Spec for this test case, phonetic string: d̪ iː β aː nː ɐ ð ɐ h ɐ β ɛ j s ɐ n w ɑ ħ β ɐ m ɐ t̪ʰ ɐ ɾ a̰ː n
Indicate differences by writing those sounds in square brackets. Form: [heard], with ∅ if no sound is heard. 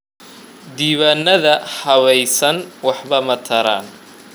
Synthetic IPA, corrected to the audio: d̪ iː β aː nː ɐ ð ɐ h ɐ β ɛ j s ɐ n w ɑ ħ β ɐ m ɐ t̪ʰ ɐ ɾ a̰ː n